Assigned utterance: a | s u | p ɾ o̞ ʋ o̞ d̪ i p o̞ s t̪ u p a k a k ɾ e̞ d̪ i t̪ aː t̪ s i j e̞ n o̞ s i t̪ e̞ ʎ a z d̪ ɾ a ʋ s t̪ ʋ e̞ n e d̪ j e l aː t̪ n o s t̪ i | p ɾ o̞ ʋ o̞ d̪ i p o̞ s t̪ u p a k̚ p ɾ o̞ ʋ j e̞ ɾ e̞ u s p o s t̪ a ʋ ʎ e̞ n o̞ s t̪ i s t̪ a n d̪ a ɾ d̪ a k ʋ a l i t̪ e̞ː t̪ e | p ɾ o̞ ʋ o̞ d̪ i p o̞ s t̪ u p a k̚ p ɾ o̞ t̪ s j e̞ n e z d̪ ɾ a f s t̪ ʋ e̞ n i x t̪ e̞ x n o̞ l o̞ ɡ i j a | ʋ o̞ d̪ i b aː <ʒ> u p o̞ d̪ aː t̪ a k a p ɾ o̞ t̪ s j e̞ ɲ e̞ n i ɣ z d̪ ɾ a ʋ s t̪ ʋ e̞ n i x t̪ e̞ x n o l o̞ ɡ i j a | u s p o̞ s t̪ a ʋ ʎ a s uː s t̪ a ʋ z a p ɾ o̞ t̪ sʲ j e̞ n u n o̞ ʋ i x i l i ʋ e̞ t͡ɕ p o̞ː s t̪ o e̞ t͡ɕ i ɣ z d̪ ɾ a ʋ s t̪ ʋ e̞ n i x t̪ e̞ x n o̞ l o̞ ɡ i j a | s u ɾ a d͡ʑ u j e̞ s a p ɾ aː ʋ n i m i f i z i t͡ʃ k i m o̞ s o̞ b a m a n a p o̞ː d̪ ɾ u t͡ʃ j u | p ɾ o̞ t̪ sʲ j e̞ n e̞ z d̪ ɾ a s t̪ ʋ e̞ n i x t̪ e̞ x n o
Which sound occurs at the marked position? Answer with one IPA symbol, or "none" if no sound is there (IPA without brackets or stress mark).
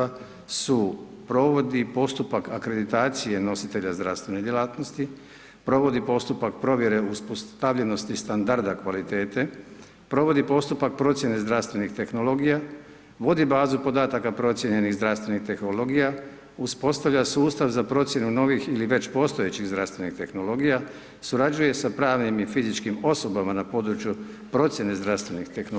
z